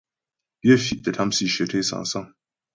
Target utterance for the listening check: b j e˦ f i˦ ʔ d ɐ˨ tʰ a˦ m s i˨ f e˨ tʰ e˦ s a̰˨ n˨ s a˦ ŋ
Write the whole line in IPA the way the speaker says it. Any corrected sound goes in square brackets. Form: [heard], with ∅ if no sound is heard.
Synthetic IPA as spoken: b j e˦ f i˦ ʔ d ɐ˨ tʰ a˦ m s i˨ [ʃ] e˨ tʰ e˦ s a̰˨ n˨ s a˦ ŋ